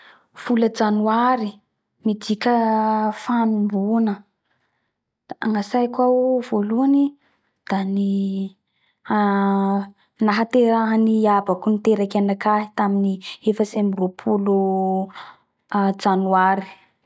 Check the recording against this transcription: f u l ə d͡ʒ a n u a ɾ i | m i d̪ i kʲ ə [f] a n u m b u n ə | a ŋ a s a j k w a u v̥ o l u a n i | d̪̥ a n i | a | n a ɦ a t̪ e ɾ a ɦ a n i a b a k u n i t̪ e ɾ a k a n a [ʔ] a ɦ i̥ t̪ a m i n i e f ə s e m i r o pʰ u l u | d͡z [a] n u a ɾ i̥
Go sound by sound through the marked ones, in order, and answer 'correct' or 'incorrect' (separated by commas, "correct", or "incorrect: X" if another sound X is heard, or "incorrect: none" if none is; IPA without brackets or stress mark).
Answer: correct, incorrect: k, correct